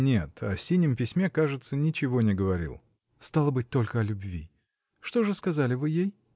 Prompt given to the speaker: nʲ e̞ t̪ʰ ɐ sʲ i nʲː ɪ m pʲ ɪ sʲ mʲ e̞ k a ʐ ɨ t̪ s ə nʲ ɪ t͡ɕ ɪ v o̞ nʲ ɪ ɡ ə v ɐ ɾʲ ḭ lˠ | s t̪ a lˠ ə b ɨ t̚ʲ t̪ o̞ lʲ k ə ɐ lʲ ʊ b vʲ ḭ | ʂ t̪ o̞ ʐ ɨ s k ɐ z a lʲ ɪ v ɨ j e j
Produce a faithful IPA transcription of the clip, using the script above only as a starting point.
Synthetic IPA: nʲ e̞ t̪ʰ ɐ sʲ i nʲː ɪ m pʲ ɪ sʲ mʲ e̞ k a ʐ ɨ t̪ s ə nʲ ɪ t͡ɕ ɪ v o̞ nʲ ɪ ɡ ə v ɐ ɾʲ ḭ lˠ | s t̪ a lˠ ə b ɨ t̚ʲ t̪ o̞ lʲ k ə ɐ lʲ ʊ b vʲ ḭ | ʂ t̪ o̞ ʐ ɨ s k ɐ z a lʲ ɪ v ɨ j e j